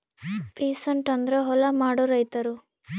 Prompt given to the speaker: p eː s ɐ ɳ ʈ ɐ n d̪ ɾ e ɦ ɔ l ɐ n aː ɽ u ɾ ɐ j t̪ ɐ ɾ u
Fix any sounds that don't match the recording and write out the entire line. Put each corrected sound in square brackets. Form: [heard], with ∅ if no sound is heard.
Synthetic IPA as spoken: p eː s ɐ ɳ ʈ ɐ n d̪ ɾ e ɦ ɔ l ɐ [m] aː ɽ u ɾ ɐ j t̪ ɐ ɾ u